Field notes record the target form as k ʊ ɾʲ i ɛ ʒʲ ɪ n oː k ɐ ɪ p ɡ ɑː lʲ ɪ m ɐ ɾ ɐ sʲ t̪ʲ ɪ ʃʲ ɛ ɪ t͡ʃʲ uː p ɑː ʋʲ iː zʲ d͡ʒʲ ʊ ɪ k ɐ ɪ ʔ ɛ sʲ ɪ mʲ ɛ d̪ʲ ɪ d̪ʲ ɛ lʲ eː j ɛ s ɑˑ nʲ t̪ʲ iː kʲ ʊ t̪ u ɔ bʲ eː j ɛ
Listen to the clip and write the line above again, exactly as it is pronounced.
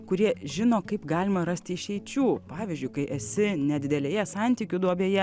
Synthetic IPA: k ʊ ɾʲ i ɛ ʒʲ ɪ n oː k ɐ ɪ p ɡ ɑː lʲ ɪ m ɐ ɾ ɐ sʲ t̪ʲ ɪ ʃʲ ɛ ɪ t͡ʃʲ uː p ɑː ʋʲ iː zʲ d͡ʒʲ ʊ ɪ k ɐ ɪ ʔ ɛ sʲ ɪ nʲ ɛ d̪ʲ ɪ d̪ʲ ɛ lʲ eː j ɛ s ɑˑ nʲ t̪ʲ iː kʲ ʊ d̪ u ɔ bʲ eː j ɛ